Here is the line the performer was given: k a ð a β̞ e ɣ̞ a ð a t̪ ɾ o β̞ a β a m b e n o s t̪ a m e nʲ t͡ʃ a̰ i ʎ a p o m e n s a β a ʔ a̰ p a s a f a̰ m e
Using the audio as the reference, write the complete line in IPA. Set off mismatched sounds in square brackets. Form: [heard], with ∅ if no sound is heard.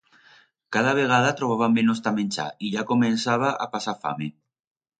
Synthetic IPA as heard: k a ð a β̞ e ɣ̞ a ð a t̪ ɾ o β̞ a β a m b e n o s t̪ a m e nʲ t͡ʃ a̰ i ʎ a [k] o m e n s a β a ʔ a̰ p a s a f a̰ m e